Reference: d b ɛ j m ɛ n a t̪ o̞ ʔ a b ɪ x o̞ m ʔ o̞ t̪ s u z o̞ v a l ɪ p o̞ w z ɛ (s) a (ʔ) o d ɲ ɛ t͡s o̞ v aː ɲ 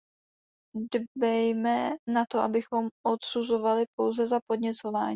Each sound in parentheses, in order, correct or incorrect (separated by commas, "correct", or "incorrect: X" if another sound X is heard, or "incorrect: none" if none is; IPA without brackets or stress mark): incorrect: z, incorrect: p